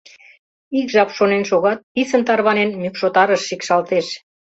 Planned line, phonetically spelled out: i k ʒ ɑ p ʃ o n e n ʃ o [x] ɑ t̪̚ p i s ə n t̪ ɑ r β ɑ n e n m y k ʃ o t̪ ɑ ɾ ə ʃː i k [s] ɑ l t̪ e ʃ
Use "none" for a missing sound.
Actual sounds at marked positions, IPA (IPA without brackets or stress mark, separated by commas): ɣ, ʃ